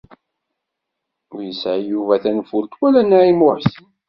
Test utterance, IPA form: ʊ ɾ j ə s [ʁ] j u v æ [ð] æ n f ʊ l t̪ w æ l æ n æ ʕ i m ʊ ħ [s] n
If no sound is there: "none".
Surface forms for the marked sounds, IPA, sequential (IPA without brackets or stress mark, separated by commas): ʕ, θ, s